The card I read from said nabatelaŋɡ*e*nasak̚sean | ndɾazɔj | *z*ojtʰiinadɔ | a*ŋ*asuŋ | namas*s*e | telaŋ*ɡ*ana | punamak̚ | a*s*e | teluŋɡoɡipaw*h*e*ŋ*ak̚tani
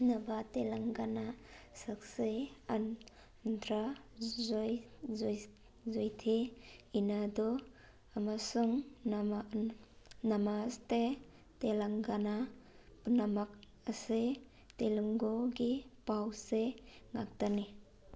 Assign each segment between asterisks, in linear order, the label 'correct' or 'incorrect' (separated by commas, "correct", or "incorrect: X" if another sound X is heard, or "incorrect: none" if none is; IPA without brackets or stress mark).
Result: incorrect: a, correct, incorrect: m, incorrect: t, correct, correct, incorrect: s, correct